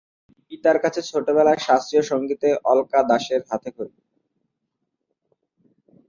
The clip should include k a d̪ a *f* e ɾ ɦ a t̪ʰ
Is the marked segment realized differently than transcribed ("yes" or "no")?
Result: yes